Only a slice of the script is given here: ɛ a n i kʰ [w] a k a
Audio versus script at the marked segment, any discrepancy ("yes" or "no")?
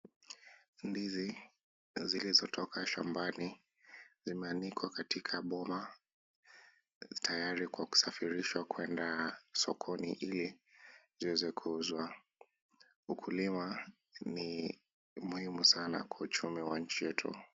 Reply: no